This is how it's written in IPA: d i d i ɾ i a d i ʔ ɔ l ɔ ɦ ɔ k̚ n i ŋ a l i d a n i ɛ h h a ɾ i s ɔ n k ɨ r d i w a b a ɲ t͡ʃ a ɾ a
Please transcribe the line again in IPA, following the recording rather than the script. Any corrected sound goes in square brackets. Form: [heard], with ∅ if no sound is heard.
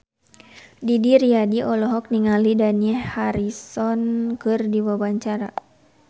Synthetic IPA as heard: d i d i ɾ i a d i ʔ ɔ l ɔ ɦ ɔ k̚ n i ŋ a l i d a n i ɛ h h a ɾ i s ɔ n k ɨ r d i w a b a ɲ t͡ʃ a ɾ a